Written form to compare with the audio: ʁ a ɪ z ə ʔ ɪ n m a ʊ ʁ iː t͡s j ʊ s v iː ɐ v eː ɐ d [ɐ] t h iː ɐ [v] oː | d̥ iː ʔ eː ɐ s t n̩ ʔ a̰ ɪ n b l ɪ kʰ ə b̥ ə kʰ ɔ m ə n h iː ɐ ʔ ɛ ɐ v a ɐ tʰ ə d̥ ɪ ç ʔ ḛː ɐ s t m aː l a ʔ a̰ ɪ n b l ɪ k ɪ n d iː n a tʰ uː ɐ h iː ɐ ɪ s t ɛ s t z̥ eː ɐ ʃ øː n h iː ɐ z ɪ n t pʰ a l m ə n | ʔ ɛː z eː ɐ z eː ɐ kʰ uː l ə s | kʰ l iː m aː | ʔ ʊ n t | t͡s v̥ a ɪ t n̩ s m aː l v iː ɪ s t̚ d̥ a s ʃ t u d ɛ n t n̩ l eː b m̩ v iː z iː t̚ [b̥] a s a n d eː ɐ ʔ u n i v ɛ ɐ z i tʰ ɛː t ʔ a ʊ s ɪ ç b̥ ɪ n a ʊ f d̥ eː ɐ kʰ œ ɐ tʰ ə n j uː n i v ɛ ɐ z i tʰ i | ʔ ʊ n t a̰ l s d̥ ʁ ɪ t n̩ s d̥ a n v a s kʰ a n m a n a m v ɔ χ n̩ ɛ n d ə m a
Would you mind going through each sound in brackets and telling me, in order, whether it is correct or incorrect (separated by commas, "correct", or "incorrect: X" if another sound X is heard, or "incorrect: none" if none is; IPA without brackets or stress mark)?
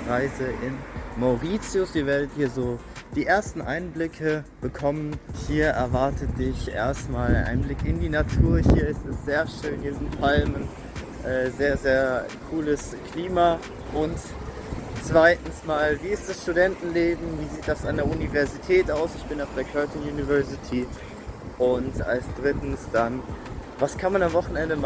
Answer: incorrect: ə, incorrect: z, incorrect: d̥